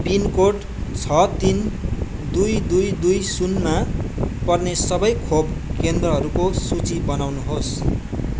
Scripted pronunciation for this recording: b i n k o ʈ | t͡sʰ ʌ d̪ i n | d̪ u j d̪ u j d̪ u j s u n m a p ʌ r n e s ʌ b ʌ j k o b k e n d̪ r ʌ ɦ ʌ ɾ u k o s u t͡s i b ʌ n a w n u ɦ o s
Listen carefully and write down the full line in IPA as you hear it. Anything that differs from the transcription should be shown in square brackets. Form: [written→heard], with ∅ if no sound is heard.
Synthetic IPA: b i n k o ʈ | t͡sʰ ʌ [d̪→t̪] i n | d̪ u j d̪ u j d̪ u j s u n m a p ʌ r n e s ʌ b ʌ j [k→kʰ] o b k e n d̪ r ʌ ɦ ʌ ɾ u k o s u t͡s i b ʌ n a w n u ɦ o s